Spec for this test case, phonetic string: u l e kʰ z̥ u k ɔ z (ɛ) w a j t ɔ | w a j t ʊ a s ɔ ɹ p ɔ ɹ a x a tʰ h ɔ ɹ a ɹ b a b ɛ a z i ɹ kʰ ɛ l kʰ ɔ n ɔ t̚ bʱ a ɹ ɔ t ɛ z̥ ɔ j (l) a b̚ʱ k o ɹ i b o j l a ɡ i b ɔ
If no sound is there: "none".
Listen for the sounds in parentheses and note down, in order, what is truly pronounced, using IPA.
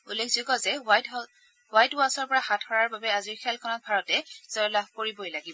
ɛ, l

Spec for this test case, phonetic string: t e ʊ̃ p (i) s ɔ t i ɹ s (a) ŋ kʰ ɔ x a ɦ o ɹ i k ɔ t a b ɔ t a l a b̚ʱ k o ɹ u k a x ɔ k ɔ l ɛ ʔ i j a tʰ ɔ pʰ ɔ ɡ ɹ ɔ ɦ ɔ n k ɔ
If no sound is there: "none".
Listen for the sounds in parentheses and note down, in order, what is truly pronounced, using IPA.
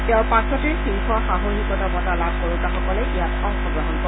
a, i

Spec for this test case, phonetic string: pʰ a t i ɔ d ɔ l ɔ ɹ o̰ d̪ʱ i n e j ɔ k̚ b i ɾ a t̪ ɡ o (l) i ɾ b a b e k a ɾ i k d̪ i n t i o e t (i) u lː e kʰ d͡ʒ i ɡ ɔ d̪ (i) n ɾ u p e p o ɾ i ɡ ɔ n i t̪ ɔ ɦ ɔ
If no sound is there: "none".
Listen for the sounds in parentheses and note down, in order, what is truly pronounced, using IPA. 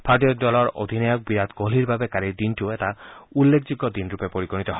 l, a, i

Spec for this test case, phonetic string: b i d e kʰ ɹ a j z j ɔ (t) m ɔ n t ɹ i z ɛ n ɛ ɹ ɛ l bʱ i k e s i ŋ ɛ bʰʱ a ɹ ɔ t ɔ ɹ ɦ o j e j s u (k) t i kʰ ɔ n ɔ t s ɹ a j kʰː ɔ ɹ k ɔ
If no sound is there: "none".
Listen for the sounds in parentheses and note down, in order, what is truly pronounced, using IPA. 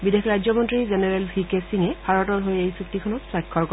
none, k

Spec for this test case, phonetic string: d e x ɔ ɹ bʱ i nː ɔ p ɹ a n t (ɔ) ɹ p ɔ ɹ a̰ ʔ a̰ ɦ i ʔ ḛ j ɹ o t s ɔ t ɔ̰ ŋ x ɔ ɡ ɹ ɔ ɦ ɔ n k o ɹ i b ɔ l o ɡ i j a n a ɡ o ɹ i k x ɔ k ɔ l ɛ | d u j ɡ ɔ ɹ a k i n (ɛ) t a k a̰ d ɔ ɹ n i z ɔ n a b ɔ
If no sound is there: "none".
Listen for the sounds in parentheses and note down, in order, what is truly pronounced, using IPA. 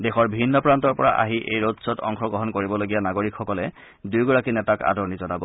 ɔ, ɛ

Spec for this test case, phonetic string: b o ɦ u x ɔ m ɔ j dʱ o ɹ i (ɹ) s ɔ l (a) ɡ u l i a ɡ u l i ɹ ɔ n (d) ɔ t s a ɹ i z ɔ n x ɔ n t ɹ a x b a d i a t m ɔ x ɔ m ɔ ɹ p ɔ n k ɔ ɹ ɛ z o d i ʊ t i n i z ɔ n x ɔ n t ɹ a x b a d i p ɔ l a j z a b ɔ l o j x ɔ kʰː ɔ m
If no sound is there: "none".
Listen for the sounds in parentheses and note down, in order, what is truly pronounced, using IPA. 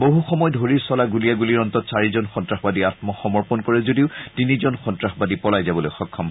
ɹ, a, t

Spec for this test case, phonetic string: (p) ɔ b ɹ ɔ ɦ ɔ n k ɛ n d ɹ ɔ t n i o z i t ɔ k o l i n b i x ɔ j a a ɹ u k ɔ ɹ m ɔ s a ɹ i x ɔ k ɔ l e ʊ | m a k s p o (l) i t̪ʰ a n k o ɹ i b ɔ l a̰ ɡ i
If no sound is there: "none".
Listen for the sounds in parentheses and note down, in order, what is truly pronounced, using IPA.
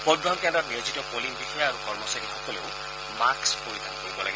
p, ɹ

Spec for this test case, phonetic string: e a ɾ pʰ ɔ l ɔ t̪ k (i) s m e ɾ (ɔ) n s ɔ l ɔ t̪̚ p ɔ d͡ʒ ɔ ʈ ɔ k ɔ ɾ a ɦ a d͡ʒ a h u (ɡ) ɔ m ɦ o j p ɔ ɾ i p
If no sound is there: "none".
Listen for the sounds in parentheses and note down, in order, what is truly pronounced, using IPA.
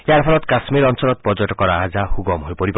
a, ɔ, ɡ

